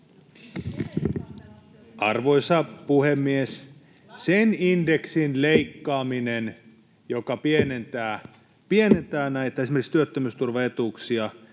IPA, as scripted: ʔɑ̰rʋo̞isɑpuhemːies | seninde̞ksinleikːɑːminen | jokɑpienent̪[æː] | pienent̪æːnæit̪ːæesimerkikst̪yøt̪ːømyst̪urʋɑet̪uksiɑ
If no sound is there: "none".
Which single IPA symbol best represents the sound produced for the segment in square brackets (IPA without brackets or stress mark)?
æː